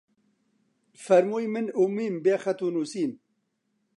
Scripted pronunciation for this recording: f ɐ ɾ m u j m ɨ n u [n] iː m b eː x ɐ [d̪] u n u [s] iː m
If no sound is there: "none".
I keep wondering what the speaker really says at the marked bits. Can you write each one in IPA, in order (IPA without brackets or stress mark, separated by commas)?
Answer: m, t̪, s